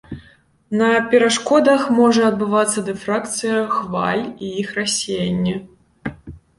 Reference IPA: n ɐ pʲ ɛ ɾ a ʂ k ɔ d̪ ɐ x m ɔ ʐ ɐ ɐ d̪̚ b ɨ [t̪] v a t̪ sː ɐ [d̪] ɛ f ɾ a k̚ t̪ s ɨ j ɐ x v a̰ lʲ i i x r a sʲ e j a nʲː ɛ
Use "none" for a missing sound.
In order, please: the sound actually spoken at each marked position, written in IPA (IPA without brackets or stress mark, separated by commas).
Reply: none, d̪